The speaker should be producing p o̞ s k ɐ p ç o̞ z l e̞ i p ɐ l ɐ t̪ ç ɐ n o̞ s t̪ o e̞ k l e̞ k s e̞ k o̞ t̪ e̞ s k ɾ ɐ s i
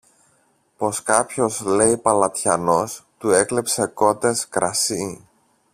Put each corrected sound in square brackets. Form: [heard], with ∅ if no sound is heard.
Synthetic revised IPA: p o̞ s k ɐ p ç o̞ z l e̞ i p ɐ l ɐ t̪ ç ɐ n o̞ s t̪ [u] e̞ k l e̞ [p] s e̞ k o̞ t̪ e̞ s k ɾ ɐ s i